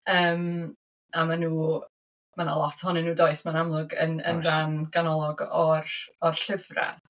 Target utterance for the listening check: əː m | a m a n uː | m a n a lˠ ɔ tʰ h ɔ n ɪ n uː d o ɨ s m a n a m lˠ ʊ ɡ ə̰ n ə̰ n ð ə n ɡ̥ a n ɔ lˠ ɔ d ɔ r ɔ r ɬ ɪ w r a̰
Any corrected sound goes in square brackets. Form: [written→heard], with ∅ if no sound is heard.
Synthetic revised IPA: əː m | a m a n uː | m a n a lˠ ɔ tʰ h ɔ n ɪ n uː d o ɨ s m a n a m lˠ ʊ ɡ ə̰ n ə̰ n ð [ə→a] n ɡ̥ a n ɔ lˠ ɔ [d→ɡ] ɔ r ɔ r ɬ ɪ [w→v] r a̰